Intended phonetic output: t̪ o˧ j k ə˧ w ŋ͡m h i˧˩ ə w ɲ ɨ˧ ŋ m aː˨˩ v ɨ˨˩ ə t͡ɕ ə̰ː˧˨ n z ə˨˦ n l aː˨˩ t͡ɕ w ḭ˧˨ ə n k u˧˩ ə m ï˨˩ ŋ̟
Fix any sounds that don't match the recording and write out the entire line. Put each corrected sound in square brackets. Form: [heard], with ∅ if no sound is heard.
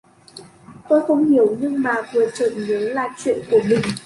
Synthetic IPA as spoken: t̪ o˧ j [x] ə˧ w ŋ͡m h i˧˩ ə w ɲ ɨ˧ ŋ m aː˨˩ v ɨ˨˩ ə t͡ɕ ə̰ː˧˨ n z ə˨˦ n l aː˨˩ t͡ɕ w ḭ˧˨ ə n k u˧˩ ə m ï˨˩ ŋ̟